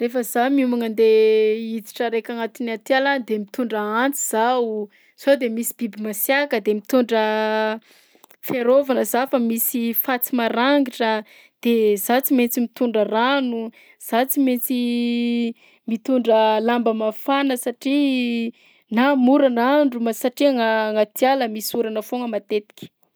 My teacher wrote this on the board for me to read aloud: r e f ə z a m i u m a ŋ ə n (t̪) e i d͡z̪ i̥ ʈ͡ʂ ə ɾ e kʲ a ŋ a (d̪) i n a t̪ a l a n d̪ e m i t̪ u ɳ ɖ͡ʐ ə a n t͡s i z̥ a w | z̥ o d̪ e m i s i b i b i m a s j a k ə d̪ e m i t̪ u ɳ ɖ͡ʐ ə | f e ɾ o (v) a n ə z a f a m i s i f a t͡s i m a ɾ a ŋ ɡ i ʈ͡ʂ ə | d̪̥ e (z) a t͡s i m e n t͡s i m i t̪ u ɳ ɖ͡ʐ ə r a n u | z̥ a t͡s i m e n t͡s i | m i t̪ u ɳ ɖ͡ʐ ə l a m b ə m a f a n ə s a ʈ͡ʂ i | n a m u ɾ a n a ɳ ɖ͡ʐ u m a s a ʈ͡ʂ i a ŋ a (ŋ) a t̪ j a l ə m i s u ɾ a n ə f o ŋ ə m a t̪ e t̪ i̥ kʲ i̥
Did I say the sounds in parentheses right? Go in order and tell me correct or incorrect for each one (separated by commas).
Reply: incorrect, incorrect, correct, correct, correct